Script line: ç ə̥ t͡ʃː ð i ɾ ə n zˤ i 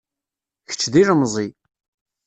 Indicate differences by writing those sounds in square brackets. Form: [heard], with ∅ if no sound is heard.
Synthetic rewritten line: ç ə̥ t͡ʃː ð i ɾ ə [m] zˤ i